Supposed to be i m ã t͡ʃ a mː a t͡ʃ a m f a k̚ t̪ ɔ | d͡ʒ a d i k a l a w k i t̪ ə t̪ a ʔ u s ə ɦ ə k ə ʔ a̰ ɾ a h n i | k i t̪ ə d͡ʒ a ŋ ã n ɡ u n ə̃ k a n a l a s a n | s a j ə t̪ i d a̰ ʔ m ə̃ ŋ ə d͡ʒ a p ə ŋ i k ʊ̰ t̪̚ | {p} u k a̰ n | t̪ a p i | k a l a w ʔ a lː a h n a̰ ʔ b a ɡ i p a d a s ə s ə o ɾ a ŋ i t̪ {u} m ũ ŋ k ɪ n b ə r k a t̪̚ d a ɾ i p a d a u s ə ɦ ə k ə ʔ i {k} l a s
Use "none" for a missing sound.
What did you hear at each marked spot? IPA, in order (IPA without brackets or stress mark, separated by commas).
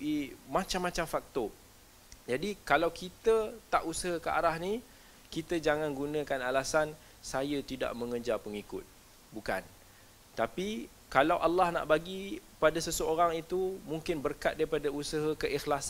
b, u, x